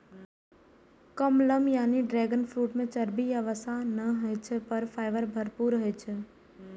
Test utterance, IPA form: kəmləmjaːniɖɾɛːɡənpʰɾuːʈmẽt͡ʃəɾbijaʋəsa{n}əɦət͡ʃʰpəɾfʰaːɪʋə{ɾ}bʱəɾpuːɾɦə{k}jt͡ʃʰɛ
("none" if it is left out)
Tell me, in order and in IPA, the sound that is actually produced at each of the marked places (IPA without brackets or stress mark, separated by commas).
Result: n, ɾ, none